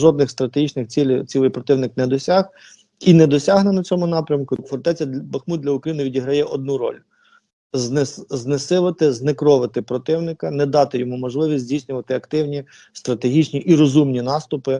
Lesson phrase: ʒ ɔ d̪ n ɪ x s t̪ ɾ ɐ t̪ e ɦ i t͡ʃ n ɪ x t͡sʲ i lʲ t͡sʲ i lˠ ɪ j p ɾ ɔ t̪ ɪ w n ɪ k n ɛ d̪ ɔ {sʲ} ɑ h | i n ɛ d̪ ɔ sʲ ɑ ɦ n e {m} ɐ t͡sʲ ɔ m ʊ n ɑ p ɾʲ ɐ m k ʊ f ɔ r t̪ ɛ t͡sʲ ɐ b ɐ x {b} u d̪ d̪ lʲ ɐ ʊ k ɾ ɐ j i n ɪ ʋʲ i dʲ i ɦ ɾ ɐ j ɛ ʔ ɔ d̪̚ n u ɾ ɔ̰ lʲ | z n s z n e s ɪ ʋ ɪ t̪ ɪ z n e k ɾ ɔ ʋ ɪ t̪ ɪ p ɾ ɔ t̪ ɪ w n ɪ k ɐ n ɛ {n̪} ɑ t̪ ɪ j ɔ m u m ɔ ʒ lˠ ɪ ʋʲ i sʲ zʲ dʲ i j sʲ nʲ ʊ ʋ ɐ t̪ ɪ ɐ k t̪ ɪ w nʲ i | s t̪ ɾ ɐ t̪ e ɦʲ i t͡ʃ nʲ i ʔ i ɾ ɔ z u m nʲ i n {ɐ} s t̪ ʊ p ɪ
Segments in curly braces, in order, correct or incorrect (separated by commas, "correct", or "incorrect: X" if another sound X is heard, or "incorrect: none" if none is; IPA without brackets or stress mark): correct, incorrect: n, incorrect: m, incorrect: d̪, incorrect: ɑ